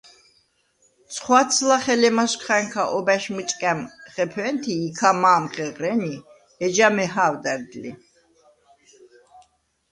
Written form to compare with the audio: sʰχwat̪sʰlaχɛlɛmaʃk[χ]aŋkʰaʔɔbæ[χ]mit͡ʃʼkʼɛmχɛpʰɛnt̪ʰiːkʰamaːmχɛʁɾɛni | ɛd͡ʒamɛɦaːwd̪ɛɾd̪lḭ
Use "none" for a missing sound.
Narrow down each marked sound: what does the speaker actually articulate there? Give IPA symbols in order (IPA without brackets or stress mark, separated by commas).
χ, ʃ